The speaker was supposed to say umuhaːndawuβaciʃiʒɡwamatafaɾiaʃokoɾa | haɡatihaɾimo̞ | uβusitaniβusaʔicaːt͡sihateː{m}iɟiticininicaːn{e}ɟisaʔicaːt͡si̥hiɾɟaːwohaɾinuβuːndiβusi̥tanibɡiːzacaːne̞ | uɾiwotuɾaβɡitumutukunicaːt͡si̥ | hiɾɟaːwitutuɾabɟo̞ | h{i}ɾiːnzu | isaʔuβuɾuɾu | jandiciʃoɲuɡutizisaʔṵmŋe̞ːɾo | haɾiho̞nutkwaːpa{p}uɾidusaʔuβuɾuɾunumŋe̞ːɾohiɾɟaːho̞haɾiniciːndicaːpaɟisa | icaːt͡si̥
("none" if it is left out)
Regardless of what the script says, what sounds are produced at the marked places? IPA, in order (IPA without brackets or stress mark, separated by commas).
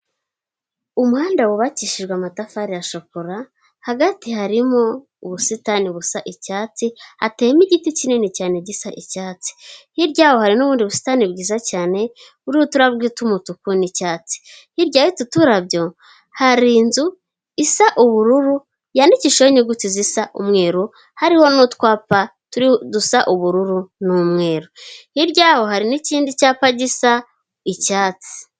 m, e, a, t